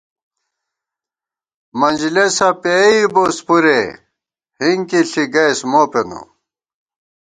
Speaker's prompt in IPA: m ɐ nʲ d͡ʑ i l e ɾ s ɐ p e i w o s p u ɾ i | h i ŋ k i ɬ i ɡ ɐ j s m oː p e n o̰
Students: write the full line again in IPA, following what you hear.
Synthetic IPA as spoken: m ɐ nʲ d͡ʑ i l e s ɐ p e i b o s p u ɾ e | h i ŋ k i ɬ i ɡ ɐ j s m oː p e n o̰